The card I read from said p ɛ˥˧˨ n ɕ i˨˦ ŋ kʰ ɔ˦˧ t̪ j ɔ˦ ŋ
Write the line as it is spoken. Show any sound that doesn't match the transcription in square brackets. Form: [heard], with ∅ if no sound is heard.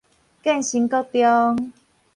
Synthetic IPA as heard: [k] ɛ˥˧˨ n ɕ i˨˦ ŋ [k] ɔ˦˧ t̪ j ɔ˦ ŋ